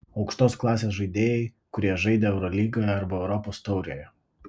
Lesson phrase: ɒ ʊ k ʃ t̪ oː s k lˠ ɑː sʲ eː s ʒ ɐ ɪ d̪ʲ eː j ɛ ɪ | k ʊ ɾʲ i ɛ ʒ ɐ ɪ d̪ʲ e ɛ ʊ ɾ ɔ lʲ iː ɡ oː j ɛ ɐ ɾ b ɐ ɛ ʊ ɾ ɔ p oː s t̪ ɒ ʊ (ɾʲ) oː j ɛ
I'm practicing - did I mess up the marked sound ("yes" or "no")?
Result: no